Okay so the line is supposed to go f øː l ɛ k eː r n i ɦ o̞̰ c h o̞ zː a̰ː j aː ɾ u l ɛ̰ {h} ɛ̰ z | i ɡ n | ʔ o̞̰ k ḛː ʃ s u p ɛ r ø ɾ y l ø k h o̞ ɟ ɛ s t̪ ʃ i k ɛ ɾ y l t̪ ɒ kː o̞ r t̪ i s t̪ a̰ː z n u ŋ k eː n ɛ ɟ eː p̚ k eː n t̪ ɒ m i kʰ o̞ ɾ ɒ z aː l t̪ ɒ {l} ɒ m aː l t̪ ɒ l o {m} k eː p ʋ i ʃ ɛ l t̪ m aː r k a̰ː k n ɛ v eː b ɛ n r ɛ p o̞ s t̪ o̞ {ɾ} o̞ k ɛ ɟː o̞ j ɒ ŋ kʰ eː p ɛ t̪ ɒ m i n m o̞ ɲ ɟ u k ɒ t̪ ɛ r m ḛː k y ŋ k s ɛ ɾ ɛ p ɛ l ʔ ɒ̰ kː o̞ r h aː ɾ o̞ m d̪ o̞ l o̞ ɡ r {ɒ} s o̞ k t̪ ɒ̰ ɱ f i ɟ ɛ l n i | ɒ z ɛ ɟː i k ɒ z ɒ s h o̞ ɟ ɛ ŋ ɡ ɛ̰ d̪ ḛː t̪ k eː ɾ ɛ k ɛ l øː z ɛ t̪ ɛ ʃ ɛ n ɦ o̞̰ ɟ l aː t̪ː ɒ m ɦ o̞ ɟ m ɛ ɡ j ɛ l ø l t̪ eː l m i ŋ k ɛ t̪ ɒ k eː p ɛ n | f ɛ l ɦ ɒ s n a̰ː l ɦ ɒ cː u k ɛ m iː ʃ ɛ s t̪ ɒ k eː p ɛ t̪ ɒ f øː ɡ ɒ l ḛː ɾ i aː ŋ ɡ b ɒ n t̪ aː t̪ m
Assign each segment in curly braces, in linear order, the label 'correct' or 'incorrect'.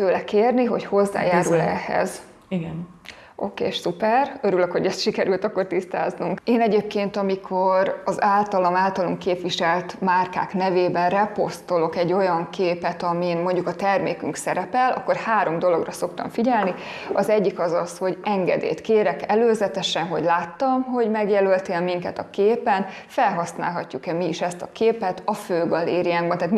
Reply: correct, correct, incorrect: ŋ, incorrect: l, correct

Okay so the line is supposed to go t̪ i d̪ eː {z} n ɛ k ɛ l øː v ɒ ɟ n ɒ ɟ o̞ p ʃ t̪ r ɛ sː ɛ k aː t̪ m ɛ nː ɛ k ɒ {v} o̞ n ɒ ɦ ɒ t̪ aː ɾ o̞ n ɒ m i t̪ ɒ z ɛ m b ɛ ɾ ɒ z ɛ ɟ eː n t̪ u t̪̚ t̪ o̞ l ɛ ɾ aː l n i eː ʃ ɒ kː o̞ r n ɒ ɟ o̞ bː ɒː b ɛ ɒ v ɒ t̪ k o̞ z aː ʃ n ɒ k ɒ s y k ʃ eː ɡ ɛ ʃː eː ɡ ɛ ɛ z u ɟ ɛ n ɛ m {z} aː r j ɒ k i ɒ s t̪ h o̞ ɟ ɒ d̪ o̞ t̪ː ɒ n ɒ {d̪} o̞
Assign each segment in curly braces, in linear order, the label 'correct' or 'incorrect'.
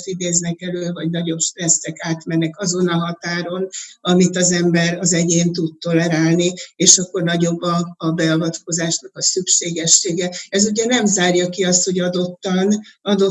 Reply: correct, incorrect: z, correct, correct

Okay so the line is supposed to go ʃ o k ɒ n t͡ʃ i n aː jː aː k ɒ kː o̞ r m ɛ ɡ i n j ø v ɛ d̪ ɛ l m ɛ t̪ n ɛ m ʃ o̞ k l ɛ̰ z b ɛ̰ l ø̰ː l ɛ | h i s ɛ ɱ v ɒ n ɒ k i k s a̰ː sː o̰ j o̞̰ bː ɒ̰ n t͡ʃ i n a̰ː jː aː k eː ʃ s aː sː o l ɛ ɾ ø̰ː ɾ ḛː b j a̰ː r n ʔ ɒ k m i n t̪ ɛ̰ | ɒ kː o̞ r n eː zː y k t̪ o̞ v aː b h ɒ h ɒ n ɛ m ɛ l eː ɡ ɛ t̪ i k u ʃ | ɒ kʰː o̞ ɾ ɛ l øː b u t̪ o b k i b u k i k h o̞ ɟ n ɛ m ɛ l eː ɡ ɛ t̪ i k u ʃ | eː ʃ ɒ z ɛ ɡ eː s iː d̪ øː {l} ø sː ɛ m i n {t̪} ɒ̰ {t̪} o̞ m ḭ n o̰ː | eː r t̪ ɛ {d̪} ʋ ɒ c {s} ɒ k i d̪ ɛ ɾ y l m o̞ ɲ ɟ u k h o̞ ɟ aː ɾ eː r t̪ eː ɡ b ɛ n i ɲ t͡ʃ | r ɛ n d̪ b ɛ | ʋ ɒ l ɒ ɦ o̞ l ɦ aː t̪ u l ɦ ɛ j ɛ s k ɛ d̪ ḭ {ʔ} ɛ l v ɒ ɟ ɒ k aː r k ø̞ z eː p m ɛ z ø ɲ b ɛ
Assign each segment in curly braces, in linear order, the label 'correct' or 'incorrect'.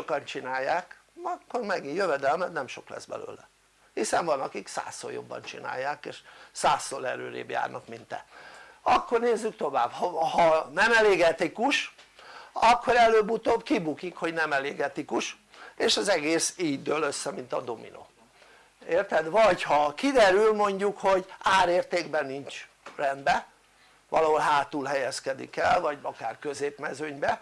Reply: correct, correct, incorrect: d̪, correct, incorrect: h, incorrect: k

